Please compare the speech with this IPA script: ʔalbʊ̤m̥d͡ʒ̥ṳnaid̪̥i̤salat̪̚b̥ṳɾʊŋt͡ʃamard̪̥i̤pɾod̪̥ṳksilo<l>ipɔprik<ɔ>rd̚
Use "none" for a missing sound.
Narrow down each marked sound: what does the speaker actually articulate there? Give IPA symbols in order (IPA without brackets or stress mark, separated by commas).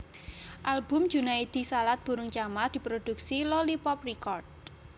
l, ɔ